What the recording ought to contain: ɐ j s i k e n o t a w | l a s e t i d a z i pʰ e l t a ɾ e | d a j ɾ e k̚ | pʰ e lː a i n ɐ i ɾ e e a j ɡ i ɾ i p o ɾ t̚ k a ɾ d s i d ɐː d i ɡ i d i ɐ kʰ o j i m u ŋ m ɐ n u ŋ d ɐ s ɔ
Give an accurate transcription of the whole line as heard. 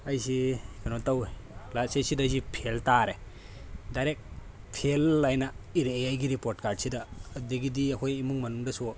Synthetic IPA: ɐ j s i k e n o t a w | l a s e s i d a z i pʰ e l t a ɾ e | d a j ɾ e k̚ | pʰ e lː a j n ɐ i ɾ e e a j ɡ i ɾ i p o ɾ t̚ k a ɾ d s i d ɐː d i ɡ i d i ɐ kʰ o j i m u ŋ m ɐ n u ŋ d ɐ s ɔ